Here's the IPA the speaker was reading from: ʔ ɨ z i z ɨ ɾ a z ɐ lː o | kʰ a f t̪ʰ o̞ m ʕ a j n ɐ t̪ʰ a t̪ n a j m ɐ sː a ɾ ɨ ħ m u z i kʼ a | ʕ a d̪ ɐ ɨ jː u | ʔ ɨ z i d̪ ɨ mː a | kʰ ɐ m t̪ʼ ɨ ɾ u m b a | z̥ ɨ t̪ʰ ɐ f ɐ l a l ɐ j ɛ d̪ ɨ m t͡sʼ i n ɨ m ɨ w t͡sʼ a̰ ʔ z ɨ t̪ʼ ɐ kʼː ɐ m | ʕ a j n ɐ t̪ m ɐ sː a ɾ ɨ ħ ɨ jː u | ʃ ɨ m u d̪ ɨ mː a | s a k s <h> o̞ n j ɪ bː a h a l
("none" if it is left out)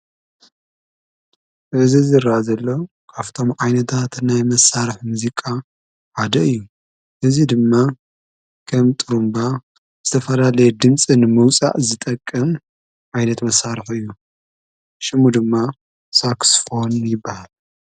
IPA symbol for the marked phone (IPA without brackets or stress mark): f